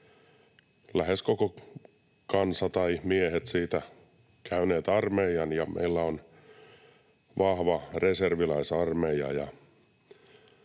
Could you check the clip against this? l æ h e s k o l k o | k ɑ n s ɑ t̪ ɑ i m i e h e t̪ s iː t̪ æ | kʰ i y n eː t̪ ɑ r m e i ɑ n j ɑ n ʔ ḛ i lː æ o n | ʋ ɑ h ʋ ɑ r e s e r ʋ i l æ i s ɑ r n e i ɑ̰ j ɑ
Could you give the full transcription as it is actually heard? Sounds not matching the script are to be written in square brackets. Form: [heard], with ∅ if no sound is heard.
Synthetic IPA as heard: l æ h e s k o [∅] k o | k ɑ n s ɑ t̪ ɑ i m i e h e t̪ s iː t̪ æ | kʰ [æ] y n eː t̪ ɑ r m e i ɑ n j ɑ [m] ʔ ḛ i lː æ o n | ʋ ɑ h ʋ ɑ r e s e r ʋ i l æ i s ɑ r [m] e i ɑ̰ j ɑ